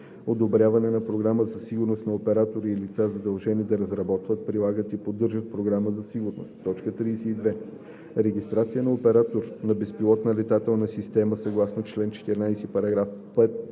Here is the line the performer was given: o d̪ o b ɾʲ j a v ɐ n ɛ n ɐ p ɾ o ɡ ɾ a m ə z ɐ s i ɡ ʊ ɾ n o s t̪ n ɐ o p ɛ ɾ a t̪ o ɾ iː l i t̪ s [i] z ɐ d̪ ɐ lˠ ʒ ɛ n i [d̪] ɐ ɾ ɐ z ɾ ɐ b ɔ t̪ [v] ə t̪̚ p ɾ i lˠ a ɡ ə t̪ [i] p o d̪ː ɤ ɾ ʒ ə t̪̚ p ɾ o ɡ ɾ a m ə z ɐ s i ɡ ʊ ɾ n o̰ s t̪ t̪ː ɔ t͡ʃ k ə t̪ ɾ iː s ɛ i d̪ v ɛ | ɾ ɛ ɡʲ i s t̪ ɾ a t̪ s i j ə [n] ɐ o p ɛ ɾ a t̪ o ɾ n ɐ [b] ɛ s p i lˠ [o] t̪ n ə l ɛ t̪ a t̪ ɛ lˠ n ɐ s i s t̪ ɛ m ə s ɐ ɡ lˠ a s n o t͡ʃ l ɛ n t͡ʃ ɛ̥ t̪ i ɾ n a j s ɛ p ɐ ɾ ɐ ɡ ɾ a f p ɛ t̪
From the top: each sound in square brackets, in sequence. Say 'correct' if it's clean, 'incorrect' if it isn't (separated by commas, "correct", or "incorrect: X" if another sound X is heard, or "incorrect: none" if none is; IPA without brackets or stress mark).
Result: incorrect: a, correct, correct, correct, correct, correct, incorrect: ɔ